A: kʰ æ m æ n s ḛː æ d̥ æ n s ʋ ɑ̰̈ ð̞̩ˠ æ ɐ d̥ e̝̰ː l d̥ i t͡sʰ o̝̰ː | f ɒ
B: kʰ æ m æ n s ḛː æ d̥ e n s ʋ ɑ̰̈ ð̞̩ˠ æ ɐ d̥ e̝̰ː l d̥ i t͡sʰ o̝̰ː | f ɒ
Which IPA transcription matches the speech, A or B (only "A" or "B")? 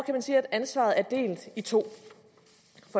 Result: A